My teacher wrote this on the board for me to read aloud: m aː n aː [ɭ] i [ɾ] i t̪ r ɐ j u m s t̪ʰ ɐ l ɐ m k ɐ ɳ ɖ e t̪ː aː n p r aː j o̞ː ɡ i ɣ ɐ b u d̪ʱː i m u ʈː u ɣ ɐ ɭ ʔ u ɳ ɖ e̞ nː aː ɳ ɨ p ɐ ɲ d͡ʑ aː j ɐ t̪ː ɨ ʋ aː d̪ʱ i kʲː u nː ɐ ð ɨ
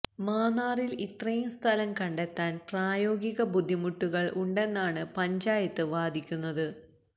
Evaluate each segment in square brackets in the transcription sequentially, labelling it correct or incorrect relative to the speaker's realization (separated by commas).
incorrect, incorrect